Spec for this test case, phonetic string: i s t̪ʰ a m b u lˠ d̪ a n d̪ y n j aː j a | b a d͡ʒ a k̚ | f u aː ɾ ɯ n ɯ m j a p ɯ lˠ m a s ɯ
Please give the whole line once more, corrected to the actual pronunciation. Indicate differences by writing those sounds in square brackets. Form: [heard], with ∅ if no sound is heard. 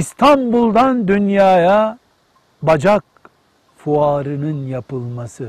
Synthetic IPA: i s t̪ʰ a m b u lˠ d̪ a n d̪ y n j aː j a | b a d͡ʒ a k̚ | f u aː ɾ ɯ n ɯ [n] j a p ɯ lˠ m a s ɯ